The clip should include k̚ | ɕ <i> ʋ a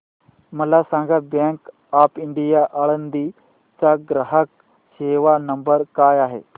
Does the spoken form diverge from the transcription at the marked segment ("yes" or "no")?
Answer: yes